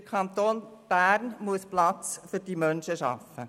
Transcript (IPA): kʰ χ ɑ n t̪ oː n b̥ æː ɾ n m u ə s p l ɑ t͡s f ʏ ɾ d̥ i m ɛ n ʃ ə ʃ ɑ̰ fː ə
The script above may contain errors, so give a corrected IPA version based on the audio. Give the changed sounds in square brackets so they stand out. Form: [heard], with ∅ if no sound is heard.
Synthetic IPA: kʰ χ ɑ n t̪ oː n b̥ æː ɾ n m u ə s p l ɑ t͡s f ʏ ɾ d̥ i m [œ] n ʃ ə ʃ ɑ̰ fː ə